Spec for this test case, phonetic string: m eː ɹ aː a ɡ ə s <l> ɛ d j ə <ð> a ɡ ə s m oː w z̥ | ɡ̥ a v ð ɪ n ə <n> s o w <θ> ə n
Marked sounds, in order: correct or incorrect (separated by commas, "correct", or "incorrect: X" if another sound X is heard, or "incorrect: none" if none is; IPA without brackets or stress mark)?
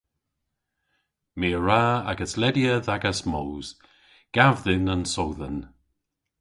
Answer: correct, correct, correct, incorrect: ð